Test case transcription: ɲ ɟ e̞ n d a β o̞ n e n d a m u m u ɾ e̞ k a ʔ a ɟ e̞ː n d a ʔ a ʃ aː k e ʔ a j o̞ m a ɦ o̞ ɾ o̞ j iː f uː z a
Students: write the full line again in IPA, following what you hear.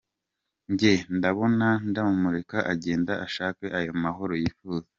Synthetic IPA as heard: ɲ ɟ e̞ n d a β o̞ n a n d a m u m u ɾ e̞ k a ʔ a ɟ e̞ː n d a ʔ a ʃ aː k e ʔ a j o̞ m a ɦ o̞ ɾ o̞ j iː f uː z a

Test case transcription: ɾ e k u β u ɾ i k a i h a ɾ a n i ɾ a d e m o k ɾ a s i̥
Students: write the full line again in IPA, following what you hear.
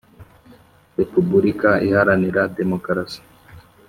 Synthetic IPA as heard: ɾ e p u b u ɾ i k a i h a ɾ a n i ɾ a d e m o k ɾ a s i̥

